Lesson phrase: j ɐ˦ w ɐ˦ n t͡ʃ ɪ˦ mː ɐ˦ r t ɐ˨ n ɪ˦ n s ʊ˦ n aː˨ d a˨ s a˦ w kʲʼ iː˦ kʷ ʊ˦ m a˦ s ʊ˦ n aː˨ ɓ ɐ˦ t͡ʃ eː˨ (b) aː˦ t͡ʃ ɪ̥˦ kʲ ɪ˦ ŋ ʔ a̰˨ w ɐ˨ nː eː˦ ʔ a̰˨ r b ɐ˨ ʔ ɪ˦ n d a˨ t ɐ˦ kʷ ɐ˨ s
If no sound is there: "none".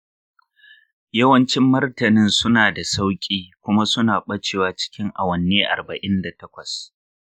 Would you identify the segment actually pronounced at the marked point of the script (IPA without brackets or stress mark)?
w